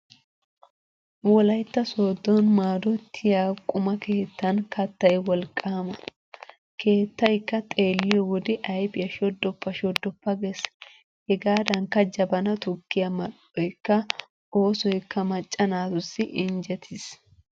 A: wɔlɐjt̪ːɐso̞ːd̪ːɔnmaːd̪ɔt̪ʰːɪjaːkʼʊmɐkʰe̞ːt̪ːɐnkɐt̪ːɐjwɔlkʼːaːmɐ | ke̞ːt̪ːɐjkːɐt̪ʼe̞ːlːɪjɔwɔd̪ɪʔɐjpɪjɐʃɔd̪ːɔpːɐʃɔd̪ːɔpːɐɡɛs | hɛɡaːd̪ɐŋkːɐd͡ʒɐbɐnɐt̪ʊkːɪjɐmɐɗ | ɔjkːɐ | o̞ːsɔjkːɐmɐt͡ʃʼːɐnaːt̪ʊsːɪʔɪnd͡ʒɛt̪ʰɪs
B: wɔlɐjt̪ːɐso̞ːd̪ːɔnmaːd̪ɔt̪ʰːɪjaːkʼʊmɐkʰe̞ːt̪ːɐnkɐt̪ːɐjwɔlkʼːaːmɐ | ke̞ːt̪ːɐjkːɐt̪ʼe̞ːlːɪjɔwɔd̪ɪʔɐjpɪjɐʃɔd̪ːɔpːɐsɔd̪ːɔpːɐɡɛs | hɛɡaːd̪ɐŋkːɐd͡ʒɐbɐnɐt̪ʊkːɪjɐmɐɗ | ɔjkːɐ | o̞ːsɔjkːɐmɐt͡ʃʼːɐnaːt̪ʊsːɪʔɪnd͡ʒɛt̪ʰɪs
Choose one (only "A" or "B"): A